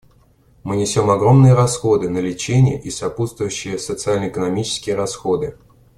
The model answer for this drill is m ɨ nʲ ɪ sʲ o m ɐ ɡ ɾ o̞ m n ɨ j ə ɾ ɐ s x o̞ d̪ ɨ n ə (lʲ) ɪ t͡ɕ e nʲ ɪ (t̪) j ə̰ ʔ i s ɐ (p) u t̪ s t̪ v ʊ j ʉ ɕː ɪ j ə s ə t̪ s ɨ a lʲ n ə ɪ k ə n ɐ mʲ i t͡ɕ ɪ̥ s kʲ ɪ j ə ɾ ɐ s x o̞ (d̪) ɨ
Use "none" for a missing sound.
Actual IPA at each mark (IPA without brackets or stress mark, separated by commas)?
lʲ, none, p, d̪